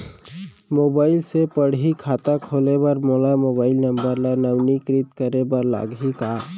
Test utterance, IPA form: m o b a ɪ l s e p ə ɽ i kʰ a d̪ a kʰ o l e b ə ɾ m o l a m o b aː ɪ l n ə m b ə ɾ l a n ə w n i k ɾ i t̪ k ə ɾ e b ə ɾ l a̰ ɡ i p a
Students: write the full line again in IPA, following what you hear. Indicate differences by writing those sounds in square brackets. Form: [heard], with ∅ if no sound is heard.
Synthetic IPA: m o b a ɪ l s e p ə ɽ i kʰ a [t̪] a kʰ o l e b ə ɾ m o l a m o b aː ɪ l n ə m b ə ɾ l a n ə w n i k ɾ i t̪ k ə ɾ e b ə ɾ l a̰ ɡ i [k] a